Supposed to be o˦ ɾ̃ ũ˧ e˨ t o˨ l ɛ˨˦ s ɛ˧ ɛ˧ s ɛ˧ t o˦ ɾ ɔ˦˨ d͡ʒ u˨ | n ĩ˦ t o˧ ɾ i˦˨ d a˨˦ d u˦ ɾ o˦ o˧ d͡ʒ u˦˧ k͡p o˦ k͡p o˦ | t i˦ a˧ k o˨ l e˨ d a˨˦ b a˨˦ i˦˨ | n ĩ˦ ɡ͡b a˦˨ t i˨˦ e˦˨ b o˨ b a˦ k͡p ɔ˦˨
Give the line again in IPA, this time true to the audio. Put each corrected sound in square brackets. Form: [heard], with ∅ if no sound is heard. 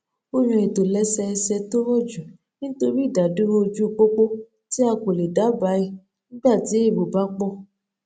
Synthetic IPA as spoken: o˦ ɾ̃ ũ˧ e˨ t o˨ l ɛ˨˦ s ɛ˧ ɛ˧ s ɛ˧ t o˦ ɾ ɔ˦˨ d͡ʒ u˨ | n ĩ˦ t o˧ ɾ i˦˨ d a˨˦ d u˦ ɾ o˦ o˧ d͡ʒ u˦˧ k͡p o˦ k͡p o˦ | t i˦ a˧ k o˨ l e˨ d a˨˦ b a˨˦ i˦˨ | n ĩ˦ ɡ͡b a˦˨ t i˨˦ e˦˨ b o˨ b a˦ k͡p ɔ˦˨